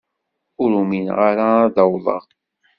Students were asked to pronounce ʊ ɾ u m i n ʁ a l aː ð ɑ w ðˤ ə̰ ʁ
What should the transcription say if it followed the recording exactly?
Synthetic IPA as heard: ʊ ɾ u m i n ʁ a ɾ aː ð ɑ w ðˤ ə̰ ʁ